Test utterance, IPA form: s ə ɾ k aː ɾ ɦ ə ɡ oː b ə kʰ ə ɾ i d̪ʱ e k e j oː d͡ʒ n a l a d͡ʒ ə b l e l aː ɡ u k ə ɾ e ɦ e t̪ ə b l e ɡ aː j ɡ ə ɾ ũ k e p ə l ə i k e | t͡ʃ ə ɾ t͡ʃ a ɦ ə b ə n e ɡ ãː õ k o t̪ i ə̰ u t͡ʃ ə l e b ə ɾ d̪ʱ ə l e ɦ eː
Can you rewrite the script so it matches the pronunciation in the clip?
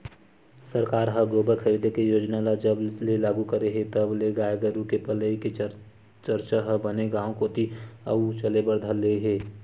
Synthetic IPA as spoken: s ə ɾ k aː ɾ ɦ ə ɡ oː b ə kʰ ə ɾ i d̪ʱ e k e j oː d͡ʒ n a l a d͡ʒ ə b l e l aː ɡ u k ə ɾ e ɦ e t̪ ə b l e ɡ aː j ɡ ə ɾ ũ k e p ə l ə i k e | t͡ʃ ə ɾ t͡ʃ a ɦ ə b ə n e ɡ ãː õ k o t̪ i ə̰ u t͡ʃ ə l e b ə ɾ d̪ʱ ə l e ɦ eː